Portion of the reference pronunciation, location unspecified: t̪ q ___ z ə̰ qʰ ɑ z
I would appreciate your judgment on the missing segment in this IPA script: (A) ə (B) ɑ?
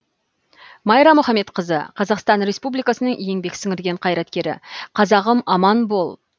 A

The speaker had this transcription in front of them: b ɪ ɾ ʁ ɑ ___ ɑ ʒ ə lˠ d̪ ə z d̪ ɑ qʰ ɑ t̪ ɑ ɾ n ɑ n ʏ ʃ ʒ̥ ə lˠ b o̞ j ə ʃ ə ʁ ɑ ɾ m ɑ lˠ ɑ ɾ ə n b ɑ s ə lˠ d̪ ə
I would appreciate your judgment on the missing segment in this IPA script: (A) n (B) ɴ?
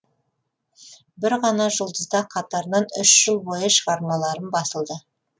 A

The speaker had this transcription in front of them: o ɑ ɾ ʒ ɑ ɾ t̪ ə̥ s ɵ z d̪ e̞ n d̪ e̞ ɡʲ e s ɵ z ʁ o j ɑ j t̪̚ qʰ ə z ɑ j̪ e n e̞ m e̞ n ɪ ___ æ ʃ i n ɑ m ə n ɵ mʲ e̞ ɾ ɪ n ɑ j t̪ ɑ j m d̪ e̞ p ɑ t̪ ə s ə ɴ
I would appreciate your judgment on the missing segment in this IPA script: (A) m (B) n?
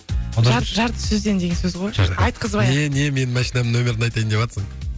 A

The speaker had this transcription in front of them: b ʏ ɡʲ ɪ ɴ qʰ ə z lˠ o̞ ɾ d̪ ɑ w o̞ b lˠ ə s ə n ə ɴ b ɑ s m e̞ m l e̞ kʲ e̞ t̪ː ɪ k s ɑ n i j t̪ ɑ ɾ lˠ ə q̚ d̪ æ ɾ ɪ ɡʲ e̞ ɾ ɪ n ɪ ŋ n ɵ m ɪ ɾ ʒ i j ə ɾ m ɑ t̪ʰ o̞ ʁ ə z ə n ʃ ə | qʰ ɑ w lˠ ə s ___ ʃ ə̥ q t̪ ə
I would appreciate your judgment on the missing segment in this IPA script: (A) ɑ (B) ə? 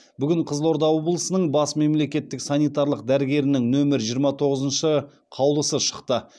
B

